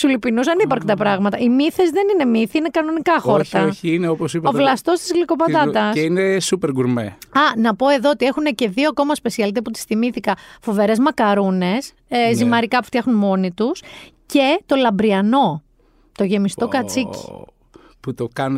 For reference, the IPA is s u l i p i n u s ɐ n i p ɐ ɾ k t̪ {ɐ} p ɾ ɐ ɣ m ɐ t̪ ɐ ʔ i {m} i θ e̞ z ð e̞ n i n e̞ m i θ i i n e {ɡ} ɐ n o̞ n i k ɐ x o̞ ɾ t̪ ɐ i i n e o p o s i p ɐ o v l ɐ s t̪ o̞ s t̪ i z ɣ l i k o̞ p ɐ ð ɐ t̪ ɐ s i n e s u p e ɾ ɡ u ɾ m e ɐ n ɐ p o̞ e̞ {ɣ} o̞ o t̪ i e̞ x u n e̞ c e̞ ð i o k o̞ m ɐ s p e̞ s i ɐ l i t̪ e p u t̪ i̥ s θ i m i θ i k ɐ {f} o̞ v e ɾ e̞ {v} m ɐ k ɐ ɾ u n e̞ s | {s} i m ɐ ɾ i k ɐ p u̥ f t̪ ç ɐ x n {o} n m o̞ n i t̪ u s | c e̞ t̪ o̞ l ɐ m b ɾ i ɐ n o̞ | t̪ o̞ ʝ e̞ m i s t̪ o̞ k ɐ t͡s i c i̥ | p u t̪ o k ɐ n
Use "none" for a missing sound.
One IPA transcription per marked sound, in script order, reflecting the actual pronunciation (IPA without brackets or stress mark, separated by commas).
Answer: ɐ, m, k, ð, f, z, z, u